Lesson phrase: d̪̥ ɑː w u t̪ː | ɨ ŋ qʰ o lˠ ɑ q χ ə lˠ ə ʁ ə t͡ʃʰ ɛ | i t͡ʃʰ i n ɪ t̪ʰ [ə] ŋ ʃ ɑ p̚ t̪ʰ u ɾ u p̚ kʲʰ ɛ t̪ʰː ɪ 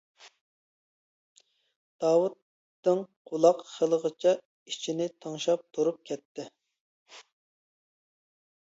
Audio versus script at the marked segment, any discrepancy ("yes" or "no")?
yes